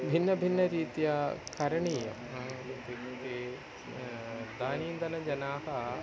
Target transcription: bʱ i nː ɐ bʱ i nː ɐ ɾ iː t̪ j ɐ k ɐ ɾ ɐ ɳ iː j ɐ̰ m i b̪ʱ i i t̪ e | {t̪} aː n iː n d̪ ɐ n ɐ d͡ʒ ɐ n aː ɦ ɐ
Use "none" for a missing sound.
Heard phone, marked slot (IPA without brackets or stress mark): d̪